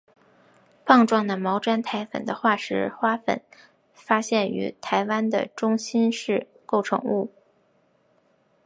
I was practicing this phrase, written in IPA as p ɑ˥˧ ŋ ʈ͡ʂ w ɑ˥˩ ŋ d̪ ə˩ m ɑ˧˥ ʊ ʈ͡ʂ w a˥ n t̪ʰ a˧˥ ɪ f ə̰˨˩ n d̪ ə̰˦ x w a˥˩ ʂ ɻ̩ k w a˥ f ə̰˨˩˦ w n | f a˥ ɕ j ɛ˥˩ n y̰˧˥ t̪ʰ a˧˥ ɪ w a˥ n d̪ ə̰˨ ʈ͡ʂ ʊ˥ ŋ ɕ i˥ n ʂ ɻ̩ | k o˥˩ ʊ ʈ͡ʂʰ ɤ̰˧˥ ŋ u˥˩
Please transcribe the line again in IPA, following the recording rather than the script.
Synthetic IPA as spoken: p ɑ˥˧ ŋ ʈ͡ʂ w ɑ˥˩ ŋ d̪ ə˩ m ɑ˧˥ ʊ ʈ͡ʂ w a˥ n t̪ʰ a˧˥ ɪ f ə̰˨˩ n d̪ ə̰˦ x w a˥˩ ʂ ɻ̩ x w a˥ f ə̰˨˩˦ n | f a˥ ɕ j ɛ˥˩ n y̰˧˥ t̪ʰ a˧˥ ɪ w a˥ n d̪ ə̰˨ ʈ͡ʂ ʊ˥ ŋ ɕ i˥ n ʂ ɻ̩ | k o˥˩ ʊ ʈ͡ʂʰ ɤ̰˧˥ ŋ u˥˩